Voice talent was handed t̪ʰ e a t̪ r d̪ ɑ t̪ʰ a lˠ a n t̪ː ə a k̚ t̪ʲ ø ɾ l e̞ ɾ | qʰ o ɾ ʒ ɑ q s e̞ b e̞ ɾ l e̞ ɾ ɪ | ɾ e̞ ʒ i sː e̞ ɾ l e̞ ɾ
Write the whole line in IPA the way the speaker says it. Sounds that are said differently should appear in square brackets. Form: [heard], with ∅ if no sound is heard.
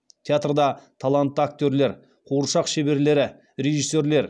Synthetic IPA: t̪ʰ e a t̪ r d̪ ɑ t̪ʰ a lˠ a n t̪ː ə a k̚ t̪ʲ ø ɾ l e̞ ɾ | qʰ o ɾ [ʃ] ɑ q [ʃ] e̞ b e̞ ɾ l e̞ ɾ ɪ | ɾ e̞ ʒ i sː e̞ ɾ l e̞ ɾ